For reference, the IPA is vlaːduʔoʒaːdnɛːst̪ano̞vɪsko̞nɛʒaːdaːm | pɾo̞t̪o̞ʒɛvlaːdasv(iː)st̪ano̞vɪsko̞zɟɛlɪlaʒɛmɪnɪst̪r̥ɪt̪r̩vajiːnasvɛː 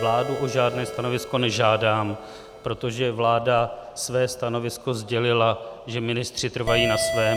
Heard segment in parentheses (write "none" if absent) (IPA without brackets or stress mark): ɛː